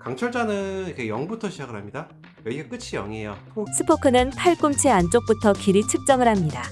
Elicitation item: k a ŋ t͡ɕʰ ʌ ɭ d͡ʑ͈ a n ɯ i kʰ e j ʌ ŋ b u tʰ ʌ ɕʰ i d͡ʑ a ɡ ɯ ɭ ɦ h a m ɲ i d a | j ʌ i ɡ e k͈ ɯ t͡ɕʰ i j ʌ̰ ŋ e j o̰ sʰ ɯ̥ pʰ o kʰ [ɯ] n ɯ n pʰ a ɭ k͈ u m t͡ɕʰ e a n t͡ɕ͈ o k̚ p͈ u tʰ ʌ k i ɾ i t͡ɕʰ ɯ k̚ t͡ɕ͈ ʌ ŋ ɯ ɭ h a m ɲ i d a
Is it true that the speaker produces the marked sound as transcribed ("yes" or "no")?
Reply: yes